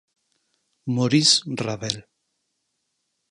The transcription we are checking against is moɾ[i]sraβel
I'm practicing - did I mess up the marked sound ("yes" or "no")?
no